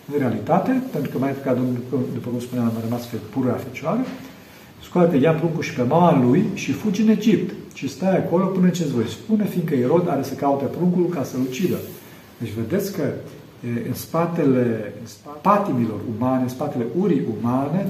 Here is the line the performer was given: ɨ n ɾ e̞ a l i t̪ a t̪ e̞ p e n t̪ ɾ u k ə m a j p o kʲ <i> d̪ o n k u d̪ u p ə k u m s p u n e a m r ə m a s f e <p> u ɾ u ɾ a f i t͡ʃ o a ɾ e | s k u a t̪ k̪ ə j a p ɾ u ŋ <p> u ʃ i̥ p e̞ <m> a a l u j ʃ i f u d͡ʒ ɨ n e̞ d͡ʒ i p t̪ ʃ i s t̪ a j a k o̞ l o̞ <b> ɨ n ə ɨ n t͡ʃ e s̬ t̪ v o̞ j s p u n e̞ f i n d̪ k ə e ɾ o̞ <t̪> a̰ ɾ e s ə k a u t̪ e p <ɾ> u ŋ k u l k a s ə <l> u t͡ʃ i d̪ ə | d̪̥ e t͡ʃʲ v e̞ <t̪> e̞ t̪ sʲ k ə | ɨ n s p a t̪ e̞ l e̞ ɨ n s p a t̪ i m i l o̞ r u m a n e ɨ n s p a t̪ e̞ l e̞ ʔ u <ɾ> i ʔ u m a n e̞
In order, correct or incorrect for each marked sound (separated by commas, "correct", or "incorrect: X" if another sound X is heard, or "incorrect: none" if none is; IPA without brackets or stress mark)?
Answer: incorrect: a, correct, incorrect: k, correct, incorrect: p, incorrect: d̪, correct, correct, incorrect: d̪, correct